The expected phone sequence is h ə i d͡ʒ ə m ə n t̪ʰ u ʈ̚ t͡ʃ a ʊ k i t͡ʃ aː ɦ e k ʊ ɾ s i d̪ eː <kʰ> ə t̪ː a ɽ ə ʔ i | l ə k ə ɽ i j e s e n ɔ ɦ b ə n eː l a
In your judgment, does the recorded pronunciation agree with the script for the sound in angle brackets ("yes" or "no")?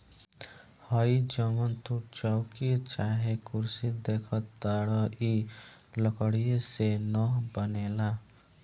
yes